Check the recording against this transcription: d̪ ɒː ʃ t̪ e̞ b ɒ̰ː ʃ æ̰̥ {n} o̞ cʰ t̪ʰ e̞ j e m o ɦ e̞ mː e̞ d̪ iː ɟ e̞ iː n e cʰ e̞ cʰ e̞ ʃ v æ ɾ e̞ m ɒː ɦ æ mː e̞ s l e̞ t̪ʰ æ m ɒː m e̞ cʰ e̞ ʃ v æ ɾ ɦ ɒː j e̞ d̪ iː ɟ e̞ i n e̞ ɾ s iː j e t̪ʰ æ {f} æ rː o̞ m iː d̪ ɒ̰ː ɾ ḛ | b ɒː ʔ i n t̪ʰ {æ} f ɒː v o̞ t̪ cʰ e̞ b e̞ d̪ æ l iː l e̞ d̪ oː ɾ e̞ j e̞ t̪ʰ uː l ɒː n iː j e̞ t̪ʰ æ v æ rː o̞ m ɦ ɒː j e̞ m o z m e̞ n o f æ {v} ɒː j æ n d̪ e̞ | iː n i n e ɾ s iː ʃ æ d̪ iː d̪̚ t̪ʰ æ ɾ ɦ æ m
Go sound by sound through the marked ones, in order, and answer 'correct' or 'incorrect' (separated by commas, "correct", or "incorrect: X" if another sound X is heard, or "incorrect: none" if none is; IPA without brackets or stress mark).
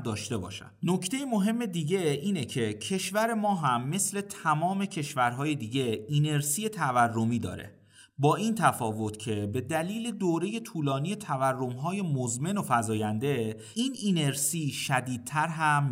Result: correct, incorrect: v, correct, incorrect: z